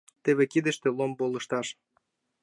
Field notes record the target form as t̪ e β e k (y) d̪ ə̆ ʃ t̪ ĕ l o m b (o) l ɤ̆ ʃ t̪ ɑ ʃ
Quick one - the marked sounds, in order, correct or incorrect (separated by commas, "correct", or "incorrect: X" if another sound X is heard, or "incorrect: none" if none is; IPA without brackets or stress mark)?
incorrect: i, correct